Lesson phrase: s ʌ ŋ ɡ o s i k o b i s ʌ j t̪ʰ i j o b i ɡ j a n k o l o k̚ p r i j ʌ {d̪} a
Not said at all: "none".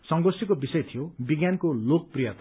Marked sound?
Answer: t̪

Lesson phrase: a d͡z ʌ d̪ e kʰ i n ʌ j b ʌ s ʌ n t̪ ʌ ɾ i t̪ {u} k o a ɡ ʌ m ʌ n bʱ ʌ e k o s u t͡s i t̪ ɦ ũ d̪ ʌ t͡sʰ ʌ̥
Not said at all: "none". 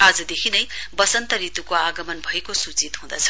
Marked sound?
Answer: u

